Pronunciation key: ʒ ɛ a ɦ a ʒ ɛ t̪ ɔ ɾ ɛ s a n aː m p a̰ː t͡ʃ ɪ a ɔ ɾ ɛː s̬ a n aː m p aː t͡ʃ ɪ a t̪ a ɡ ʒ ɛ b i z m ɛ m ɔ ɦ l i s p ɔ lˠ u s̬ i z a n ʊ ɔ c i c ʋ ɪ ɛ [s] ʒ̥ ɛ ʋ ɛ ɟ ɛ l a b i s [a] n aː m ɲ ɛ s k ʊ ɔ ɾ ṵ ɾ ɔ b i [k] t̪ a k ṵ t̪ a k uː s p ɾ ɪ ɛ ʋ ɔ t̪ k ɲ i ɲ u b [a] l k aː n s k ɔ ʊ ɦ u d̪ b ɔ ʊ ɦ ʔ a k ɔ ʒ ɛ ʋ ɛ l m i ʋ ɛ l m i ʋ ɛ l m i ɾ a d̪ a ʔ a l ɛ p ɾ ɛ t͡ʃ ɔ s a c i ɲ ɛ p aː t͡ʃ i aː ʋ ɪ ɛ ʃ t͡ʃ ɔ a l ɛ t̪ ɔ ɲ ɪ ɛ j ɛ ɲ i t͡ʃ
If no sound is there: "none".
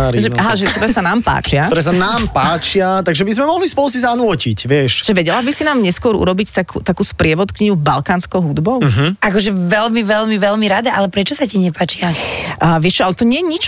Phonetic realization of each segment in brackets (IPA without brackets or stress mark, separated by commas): ʃ, i, c, a